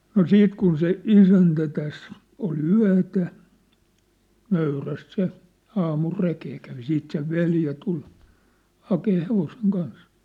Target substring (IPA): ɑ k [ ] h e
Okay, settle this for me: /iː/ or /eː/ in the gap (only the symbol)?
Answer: eː